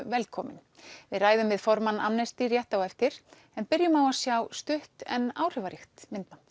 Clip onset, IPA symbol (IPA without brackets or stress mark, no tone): v